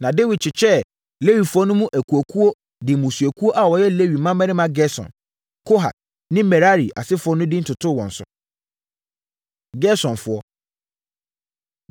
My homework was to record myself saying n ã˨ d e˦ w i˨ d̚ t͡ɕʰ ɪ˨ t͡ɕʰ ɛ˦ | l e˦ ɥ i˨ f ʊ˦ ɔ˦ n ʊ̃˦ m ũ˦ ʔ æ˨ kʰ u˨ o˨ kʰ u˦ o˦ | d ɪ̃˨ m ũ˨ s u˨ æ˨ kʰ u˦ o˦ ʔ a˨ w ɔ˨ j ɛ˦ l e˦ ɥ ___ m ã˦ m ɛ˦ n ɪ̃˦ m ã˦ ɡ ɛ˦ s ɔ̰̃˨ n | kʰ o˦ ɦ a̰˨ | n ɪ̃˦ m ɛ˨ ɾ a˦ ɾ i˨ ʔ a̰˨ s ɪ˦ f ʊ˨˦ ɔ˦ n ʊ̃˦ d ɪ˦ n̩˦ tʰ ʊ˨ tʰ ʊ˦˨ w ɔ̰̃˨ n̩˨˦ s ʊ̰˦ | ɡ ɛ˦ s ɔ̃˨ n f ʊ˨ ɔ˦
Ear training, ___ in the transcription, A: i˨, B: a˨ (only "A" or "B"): A